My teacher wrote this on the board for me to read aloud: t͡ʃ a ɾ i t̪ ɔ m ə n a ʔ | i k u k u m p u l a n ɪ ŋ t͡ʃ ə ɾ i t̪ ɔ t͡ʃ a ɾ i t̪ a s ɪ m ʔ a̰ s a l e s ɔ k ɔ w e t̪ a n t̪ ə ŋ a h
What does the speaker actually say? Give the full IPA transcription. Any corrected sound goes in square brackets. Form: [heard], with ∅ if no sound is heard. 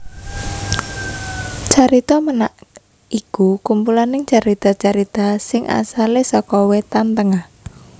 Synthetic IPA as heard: t͡ʃ a ɾ i t̪ ɔ m ə n a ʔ | i k u k u m p u l a n ɪ ŋ t͡ʃ [a] ɾ i t̪ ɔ t͡ʃ a ɾ i t̪ a s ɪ [ŋ] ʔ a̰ s a l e s ɔ k ɔ w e t̪ a n t̪ ə ŋ a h